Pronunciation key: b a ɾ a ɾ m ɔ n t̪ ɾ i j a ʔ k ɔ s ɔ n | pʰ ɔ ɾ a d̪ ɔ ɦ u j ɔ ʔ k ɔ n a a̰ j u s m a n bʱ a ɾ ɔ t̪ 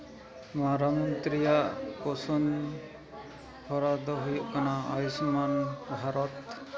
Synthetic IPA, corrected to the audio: m a ɾ a m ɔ n t̪ ɾ i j a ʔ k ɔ s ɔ n | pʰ ɔ ɾ a d̪ ɔ ɦ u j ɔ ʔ k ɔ n a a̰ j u s m a n bʱ a ɾ ɔ t̪